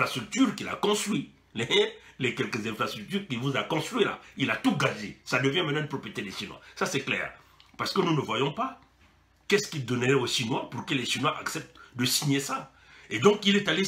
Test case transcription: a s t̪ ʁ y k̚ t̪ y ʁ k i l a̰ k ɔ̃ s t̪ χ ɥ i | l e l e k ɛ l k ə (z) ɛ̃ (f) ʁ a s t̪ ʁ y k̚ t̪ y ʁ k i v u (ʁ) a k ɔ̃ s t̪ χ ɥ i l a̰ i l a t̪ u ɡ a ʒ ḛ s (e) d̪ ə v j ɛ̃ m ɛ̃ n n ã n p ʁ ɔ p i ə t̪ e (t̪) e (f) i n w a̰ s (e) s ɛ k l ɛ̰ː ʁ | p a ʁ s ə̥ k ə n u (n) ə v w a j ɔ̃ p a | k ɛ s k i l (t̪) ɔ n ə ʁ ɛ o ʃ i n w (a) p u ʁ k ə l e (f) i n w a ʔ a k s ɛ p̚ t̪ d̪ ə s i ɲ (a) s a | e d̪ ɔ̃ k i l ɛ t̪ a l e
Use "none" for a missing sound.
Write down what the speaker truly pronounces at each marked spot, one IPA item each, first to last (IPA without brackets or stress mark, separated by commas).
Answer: z, f, z, a, d̪, ʃ, a, n, d̪, a, ʃ, e